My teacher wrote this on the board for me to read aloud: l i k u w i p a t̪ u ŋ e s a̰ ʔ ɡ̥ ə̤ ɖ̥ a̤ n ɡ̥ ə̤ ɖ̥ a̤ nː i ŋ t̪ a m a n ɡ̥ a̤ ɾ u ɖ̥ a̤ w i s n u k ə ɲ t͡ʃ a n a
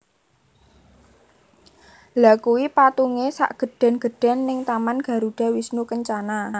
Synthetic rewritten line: l a k u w i p a t̪ u ŋ e s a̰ ʔ ɡ̥ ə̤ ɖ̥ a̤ n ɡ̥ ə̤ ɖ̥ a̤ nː ɪ ŋ t̪ a m a n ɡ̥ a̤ ɾ u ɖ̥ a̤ w i s n u k ə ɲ t͡ʃ a n a